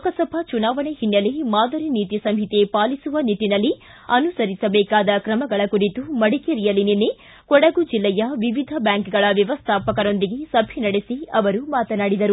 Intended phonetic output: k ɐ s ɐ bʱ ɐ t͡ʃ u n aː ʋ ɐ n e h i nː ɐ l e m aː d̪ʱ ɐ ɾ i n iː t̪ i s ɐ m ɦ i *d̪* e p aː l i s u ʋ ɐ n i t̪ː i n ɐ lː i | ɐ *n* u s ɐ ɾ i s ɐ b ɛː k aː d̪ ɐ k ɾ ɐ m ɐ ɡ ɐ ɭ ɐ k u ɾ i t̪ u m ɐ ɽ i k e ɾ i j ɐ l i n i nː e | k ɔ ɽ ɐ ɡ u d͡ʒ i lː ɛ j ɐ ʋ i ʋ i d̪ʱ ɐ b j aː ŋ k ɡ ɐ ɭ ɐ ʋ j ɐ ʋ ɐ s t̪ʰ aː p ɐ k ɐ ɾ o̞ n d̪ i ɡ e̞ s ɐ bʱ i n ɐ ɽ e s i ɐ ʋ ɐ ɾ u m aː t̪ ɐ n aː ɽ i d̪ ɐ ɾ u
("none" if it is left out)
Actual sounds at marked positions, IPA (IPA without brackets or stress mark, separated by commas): t̪, n